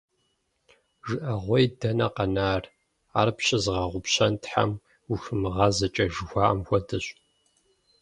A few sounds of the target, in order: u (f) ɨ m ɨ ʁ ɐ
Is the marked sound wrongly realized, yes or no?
yes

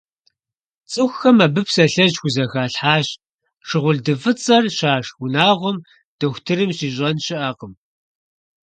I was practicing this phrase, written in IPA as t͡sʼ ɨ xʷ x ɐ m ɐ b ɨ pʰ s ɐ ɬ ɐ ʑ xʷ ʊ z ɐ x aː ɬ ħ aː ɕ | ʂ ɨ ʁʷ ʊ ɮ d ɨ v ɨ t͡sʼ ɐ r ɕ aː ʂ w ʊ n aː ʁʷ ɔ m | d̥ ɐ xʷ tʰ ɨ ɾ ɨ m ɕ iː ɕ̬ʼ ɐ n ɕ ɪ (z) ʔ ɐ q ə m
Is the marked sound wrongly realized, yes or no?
yes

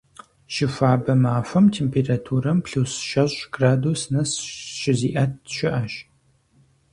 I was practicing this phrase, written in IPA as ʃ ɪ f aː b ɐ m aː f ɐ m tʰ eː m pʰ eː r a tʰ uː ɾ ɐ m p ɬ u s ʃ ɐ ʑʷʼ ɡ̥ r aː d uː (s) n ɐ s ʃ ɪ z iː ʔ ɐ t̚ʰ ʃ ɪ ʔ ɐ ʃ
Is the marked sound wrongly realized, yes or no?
no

